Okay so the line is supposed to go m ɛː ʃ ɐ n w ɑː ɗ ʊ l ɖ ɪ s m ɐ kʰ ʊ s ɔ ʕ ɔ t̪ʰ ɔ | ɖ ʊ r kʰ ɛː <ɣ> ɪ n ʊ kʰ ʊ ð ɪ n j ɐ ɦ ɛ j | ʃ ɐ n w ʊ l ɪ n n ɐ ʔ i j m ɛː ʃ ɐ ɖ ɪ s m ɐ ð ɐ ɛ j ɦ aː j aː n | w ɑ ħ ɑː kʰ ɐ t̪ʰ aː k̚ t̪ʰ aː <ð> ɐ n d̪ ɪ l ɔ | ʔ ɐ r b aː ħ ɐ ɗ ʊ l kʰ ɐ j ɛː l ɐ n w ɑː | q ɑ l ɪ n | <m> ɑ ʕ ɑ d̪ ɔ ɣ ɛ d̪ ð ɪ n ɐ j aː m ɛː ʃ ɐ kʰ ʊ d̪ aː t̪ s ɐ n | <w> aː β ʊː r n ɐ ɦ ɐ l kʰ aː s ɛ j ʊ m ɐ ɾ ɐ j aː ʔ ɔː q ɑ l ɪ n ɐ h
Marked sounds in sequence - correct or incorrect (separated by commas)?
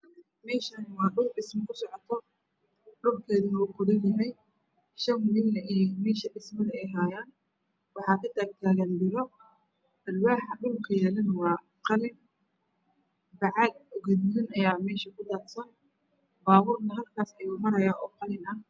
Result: incorrect, incorrect, incorrect, incorrect